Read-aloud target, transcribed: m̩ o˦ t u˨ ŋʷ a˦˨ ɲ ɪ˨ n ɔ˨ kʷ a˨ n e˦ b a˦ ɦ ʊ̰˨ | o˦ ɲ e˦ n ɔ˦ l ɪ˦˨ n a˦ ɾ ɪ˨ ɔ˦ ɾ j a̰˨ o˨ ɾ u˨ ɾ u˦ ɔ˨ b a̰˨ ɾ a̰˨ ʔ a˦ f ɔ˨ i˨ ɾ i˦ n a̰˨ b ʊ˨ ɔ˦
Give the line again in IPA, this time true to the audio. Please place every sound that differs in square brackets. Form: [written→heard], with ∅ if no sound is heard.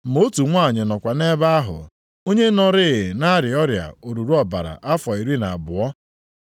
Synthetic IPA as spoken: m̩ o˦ t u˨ ŋʷ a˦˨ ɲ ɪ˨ n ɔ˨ kʷ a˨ n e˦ b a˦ ɦ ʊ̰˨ | o˦ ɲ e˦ n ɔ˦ [l→ɾ] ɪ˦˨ n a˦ ɾ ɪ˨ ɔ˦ ɾ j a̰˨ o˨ ɾ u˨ ɾ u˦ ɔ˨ b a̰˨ ɾ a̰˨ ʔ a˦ f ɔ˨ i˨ ɾ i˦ n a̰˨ b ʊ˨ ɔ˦